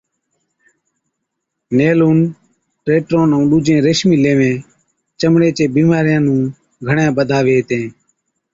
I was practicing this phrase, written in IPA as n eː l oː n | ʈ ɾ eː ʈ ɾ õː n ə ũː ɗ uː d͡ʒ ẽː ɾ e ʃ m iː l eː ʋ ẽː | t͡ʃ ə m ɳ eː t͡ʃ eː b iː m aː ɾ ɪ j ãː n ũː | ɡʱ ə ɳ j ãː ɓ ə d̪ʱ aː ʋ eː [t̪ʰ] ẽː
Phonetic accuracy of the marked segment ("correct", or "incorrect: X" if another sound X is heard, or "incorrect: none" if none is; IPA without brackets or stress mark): incorrect: t̪